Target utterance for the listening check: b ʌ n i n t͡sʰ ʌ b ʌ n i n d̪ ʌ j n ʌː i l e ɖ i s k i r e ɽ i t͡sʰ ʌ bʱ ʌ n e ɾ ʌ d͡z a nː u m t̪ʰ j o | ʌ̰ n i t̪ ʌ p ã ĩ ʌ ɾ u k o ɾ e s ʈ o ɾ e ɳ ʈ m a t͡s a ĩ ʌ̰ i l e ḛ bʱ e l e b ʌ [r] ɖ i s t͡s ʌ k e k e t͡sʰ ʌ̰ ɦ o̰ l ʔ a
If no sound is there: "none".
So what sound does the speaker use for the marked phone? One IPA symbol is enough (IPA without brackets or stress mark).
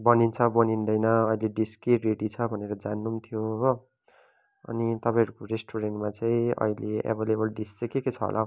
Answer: l